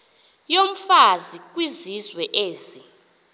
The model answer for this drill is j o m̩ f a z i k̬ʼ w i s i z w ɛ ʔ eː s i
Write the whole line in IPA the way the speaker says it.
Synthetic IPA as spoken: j o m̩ f a z i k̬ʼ w i z i z w ɛ ʔ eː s i